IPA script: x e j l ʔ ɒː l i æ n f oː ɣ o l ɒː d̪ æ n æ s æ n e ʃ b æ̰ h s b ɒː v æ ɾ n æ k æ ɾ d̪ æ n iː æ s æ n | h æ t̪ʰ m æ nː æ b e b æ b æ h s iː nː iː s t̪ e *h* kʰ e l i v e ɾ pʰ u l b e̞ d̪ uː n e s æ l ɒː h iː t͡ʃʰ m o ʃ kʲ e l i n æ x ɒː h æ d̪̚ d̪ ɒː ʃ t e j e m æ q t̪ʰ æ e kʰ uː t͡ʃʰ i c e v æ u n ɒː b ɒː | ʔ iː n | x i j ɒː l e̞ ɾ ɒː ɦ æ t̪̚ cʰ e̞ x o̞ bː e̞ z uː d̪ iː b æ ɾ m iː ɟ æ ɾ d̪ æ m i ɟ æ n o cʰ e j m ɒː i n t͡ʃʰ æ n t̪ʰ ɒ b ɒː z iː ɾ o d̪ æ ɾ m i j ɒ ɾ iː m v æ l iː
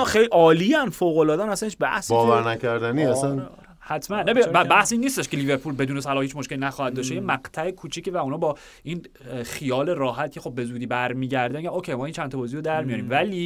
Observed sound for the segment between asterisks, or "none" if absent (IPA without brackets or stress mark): ʃ